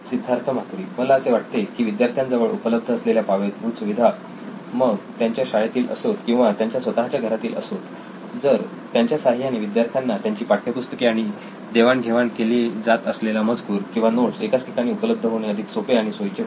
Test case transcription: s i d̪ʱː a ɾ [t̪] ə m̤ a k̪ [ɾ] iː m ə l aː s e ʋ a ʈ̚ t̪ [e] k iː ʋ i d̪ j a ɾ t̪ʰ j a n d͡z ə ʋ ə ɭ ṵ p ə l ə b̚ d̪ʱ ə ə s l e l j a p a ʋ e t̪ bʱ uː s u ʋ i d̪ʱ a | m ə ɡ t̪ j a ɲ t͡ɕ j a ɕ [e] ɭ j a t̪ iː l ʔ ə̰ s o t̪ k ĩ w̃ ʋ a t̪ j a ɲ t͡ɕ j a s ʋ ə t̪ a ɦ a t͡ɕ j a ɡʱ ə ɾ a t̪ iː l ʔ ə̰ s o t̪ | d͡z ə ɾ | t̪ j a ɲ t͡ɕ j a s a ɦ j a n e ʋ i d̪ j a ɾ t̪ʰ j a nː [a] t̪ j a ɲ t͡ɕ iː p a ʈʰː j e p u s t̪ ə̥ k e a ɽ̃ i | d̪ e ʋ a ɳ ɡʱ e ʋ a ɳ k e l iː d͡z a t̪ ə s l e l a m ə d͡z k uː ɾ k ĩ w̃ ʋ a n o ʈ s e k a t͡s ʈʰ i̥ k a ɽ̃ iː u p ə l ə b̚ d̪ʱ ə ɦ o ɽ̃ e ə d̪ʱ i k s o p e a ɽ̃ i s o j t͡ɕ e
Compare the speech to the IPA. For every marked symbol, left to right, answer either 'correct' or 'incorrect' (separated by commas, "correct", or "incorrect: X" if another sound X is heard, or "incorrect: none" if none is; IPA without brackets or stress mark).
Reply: incorrect: t̪ʰ, correct, correct, incorrect: a, correct